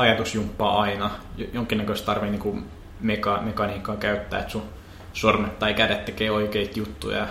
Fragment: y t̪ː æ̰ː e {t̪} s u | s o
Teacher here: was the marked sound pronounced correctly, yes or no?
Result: yes